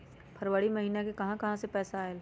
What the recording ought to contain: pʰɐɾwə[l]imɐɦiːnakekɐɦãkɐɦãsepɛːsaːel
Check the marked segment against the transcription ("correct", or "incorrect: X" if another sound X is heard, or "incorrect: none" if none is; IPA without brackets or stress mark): incorrect: ɽ